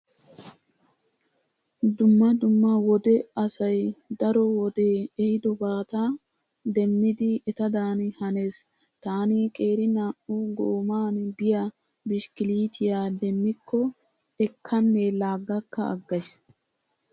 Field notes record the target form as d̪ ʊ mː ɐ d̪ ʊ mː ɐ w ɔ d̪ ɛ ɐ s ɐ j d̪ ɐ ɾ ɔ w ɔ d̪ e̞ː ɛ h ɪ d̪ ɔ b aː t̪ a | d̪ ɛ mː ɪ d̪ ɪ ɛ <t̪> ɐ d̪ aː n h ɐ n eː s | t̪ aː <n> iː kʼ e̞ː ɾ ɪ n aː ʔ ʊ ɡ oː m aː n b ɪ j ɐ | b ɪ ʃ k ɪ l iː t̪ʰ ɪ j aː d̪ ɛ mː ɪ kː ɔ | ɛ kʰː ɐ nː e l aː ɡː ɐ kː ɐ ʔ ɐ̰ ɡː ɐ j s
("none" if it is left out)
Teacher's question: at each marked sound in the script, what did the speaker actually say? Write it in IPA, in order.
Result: t̪, n

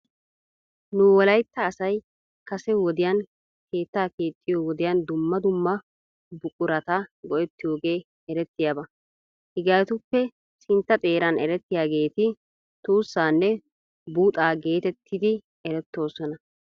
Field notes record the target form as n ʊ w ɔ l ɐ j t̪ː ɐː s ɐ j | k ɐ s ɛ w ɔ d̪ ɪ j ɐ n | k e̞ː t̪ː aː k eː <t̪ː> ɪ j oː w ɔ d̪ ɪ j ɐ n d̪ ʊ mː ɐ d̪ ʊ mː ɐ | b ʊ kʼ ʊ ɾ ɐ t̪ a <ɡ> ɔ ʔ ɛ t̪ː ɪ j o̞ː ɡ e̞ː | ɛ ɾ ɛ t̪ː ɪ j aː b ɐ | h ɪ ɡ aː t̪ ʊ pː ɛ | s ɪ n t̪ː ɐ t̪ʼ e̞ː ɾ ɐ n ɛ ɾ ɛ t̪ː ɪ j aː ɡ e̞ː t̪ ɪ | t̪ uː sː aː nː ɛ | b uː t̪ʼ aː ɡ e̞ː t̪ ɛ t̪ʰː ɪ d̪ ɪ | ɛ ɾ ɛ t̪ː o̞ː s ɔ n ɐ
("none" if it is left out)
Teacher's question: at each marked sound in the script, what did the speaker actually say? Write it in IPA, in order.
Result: t̪ʼː, ɡ

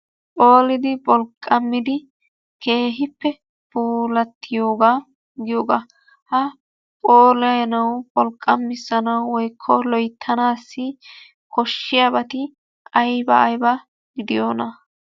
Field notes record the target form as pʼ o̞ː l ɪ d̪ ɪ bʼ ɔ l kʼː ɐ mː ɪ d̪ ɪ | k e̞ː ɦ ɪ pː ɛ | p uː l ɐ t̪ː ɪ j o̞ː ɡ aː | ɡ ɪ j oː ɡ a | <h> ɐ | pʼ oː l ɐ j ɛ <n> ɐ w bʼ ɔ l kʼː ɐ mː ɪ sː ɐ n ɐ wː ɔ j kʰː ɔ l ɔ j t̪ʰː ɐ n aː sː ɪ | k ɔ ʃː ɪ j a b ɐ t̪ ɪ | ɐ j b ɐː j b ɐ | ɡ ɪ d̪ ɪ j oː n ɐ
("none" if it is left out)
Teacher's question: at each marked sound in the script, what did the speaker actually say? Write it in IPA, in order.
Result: h, n

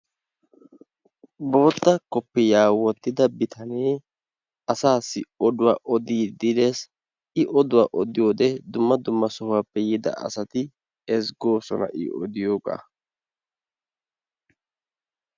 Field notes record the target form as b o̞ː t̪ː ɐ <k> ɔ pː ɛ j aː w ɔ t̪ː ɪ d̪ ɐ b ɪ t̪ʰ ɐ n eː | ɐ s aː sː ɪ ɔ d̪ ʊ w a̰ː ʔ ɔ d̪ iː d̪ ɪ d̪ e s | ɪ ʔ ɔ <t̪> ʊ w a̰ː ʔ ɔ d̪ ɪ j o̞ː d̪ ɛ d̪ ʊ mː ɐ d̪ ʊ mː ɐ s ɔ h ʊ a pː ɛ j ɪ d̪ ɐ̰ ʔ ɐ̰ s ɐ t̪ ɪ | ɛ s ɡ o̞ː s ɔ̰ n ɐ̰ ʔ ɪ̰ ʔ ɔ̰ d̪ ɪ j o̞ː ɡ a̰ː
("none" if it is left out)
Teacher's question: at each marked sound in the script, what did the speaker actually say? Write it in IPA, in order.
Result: k, d̪

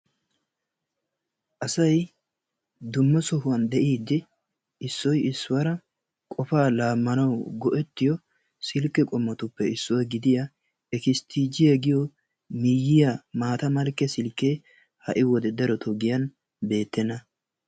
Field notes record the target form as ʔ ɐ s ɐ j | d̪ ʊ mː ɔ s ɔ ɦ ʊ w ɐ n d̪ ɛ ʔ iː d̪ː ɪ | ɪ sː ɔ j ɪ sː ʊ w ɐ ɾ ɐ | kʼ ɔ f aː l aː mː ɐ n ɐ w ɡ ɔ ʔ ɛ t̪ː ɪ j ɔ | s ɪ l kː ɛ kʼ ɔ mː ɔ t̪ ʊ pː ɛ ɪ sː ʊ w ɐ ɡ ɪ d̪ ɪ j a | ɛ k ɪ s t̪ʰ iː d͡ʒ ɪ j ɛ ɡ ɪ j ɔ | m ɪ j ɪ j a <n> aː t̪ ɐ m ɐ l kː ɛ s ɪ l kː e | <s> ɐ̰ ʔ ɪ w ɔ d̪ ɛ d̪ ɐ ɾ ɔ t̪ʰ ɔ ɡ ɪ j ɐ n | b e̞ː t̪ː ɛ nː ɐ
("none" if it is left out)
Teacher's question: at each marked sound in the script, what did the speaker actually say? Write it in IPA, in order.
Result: m, h

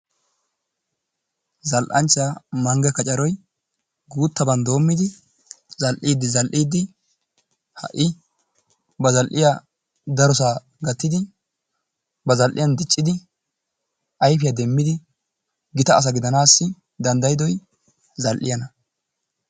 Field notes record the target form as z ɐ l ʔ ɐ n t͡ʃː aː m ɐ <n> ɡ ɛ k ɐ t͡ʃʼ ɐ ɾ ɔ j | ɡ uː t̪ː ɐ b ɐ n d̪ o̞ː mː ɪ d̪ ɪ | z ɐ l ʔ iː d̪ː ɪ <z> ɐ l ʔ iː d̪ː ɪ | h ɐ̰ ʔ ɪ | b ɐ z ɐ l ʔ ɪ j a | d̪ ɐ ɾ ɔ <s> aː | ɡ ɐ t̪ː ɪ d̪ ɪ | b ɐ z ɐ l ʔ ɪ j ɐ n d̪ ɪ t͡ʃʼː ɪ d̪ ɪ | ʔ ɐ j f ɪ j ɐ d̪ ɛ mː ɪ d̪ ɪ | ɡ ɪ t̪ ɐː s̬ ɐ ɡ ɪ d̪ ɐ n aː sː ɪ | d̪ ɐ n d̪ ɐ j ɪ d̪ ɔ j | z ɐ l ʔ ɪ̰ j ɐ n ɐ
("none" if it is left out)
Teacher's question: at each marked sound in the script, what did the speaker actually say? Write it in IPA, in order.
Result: ŋ, z, s

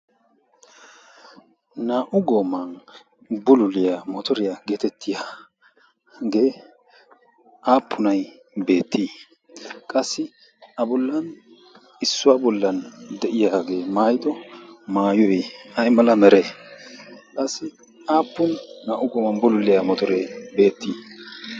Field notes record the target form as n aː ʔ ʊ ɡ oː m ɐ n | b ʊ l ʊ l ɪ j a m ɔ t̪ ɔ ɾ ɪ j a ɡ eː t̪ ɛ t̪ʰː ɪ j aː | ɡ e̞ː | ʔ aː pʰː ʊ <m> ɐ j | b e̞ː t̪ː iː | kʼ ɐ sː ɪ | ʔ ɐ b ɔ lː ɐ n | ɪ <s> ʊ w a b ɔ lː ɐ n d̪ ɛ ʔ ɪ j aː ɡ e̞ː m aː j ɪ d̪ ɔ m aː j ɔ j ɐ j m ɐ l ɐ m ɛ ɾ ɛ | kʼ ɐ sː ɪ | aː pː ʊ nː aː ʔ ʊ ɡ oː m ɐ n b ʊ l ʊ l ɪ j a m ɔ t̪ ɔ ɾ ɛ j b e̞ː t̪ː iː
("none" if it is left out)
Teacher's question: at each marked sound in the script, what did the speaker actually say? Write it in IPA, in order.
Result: n, sː

